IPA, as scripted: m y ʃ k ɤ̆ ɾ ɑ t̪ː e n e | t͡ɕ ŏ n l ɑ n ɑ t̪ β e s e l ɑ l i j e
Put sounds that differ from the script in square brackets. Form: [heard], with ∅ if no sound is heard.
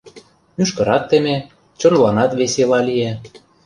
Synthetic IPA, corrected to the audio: m y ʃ k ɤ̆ ɾ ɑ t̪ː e [m] e | t͡ɕ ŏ n l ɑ n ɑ t̪ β e s e l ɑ l i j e